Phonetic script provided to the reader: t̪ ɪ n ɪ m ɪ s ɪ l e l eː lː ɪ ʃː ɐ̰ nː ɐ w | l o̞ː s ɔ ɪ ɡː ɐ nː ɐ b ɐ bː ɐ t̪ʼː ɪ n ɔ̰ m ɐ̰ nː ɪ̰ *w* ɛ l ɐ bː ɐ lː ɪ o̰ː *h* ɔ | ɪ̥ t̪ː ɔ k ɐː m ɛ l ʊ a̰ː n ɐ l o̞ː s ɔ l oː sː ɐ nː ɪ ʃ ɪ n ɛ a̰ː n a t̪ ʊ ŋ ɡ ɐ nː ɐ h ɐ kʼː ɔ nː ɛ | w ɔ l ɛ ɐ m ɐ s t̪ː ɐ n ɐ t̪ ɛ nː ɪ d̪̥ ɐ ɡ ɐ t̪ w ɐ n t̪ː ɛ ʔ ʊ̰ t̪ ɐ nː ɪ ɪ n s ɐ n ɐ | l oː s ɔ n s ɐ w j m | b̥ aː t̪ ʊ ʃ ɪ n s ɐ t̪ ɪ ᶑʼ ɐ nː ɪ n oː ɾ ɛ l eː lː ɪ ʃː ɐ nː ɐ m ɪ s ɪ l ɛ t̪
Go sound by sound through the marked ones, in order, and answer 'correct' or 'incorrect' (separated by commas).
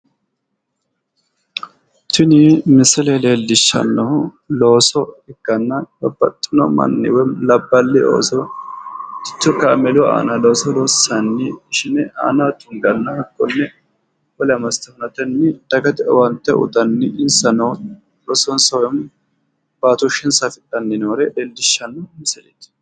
correct, incorrect